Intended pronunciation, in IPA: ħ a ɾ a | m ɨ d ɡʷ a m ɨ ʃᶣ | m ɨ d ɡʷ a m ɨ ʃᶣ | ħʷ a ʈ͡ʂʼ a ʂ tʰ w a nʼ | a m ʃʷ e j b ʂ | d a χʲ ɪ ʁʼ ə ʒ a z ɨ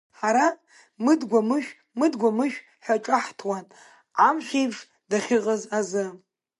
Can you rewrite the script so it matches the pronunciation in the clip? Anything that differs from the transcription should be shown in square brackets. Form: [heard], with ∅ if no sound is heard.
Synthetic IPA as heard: ħ a ɾ a | m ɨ d ɡʷ a m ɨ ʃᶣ | m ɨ d ɡʷ a m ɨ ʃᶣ | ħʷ a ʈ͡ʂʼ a [ħ] tʰ w a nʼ | a m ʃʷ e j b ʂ | d a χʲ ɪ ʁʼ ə [z] a z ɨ